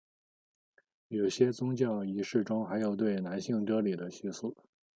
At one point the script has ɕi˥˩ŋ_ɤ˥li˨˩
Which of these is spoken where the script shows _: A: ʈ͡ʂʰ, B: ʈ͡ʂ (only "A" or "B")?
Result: B